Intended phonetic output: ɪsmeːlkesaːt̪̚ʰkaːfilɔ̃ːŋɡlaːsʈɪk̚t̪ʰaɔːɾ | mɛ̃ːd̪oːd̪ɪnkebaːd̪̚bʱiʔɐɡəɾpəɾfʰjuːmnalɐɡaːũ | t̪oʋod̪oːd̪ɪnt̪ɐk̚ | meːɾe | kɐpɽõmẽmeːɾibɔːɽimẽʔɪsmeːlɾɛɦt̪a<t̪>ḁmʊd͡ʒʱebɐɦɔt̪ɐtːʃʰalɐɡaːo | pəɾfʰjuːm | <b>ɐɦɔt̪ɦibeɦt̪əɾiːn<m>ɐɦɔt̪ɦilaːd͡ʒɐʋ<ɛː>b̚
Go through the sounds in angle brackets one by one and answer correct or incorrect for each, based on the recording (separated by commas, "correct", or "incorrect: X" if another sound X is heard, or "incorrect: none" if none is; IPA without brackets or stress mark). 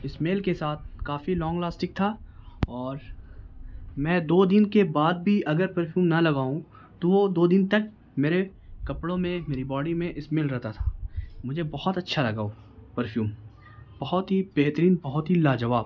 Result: incorrect: t̪ʰ, correct, incorrect: b, incorrect: aː